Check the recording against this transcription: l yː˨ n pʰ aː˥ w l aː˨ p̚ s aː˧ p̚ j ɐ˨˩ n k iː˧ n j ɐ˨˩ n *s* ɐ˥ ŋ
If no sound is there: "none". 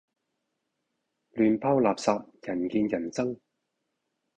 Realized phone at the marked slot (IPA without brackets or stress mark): t͡s